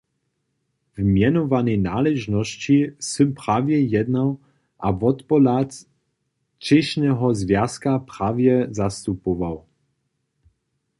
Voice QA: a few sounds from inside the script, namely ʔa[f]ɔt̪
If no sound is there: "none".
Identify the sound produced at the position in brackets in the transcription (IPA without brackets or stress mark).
v